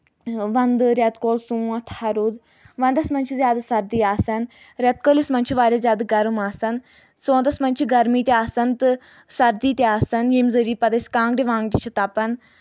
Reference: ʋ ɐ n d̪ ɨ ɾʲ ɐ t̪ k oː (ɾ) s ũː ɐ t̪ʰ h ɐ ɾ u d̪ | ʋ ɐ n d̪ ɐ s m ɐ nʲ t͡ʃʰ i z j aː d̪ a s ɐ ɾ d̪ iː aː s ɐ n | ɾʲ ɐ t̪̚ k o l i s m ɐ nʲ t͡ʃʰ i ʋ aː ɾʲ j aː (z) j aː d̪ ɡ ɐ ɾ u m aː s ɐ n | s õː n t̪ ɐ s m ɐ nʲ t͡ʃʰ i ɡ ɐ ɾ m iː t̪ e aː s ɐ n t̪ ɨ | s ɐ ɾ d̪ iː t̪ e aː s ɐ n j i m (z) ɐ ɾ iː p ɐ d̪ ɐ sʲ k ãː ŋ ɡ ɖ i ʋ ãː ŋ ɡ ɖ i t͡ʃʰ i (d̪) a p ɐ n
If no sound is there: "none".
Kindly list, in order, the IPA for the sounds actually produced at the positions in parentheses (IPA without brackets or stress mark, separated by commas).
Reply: l, z, z, t̪